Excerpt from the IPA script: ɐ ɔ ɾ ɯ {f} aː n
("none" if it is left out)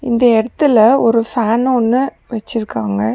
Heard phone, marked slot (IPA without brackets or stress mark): f